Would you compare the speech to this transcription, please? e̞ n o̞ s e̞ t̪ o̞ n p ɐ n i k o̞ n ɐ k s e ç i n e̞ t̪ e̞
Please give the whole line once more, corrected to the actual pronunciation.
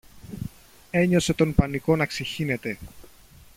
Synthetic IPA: e̞ ɲ o̞ s e̞ t̪ o̞ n p ɐ n i k o̞ n ɐ k s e ç i n e̞ t̪ e̞